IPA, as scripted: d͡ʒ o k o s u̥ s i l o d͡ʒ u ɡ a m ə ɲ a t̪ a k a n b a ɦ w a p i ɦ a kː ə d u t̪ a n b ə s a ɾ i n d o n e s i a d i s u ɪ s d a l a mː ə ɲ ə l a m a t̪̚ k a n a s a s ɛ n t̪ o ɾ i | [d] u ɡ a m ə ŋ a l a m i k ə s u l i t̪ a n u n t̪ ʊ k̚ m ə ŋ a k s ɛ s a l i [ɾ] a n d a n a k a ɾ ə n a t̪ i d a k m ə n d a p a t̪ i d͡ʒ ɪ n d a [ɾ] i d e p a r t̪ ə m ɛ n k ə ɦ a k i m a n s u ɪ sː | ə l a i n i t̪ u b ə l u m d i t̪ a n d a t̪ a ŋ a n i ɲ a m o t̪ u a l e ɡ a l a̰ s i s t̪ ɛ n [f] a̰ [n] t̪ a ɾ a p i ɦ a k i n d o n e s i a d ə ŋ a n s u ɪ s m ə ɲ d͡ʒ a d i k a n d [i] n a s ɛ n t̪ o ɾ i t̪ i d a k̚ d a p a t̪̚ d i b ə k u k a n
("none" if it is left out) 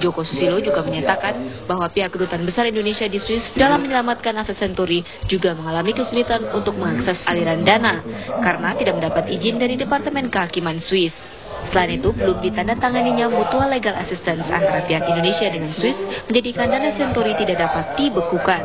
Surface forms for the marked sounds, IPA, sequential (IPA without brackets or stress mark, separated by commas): d͡ʒ, ɾ, ɾ, s, n, a